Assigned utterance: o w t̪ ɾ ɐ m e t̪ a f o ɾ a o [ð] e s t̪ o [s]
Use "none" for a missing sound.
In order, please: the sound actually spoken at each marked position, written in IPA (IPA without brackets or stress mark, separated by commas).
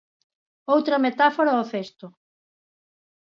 θ, none